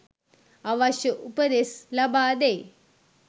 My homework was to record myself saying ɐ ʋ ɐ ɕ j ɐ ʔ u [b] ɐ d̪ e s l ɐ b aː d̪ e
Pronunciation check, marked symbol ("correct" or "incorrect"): incorrect